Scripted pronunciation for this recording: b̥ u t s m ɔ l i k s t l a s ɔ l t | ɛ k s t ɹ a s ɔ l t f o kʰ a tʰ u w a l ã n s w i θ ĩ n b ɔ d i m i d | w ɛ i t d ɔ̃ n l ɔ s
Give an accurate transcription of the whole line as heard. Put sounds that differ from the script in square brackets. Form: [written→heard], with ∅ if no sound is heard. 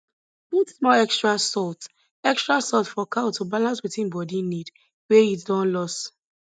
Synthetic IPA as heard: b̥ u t s m ɔ l [i→ɛ] k s t [l→ɹ] a s ɔ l t | ɛ k s t ɹ a s ɔ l t f [o→ɔ] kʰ a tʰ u [w→b] a l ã n s w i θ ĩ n b ɔ d i [m→n] i d | w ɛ i t d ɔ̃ n l ɔ s